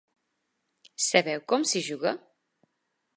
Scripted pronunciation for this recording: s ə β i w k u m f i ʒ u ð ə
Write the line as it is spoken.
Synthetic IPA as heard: s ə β ɛ w k ɔ m s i ʒ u ɣ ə